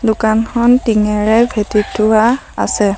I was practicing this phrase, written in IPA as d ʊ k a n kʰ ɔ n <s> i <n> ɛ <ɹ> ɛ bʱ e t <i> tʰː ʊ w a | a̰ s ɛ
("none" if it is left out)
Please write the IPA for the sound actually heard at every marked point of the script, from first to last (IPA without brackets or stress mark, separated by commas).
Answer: t, ŋ, ɹ, i